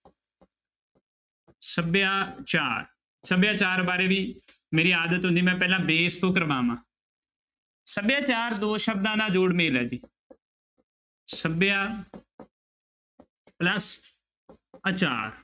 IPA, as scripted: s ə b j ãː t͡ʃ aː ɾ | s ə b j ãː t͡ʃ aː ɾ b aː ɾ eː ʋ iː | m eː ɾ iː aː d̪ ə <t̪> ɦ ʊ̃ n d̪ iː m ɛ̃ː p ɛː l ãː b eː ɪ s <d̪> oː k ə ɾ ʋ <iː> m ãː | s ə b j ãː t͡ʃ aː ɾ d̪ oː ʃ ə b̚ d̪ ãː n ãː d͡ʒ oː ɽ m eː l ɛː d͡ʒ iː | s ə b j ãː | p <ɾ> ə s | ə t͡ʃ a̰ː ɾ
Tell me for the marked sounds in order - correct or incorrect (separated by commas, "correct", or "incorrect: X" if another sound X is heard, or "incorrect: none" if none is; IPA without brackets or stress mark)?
correct, incorrect: t̪, incorrect: aː, incorrect: l